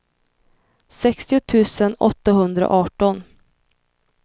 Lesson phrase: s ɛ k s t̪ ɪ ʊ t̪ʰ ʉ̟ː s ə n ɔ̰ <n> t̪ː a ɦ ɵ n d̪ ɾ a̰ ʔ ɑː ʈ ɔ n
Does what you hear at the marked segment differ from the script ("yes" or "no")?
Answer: yes